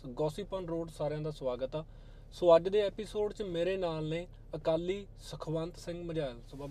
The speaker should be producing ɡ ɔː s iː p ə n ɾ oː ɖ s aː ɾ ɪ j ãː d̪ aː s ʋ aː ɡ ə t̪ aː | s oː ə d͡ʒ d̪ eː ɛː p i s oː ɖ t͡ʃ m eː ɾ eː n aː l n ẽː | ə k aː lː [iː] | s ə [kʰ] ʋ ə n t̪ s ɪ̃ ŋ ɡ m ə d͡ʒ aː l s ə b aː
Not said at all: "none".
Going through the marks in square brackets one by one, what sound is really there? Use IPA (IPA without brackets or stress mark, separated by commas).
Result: iː, kʰ